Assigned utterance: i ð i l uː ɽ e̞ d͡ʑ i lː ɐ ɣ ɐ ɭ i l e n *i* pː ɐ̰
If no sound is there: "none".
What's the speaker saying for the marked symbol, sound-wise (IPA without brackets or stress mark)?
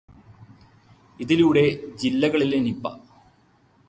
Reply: i